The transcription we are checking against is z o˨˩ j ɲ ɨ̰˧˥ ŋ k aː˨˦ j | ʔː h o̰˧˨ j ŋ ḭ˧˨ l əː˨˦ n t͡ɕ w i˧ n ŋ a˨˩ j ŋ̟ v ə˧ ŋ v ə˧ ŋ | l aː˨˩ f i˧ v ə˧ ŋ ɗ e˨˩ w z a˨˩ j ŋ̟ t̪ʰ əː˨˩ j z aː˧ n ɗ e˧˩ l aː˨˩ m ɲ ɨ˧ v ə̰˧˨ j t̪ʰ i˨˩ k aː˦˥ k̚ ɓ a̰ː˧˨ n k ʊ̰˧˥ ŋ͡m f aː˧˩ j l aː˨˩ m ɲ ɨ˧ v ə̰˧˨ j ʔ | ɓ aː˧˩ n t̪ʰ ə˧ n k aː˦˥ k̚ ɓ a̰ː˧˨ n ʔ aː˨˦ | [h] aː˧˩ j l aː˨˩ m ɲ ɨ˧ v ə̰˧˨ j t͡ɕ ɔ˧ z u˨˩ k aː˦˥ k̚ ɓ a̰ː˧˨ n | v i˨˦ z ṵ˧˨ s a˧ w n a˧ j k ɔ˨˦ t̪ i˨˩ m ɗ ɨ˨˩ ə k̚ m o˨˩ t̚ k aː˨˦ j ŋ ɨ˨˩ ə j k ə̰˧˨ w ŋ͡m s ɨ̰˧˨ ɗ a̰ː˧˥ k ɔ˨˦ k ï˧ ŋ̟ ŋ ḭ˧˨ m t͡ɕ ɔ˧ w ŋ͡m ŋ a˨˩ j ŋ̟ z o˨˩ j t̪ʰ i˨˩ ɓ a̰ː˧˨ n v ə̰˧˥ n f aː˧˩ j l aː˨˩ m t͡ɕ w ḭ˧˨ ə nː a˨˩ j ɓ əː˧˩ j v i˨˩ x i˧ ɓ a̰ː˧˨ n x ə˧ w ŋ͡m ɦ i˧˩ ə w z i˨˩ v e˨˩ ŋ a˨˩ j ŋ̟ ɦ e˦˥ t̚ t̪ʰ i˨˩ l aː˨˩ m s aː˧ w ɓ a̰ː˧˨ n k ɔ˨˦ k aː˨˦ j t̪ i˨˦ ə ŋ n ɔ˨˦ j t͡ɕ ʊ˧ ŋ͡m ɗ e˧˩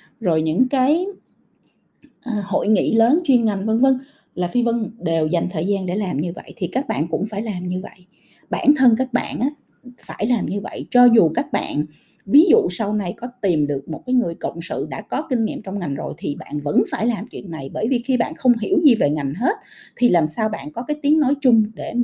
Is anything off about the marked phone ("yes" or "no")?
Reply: yes